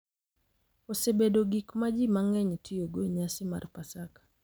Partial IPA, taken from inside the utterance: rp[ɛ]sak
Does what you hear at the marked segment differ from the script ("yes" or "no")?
yes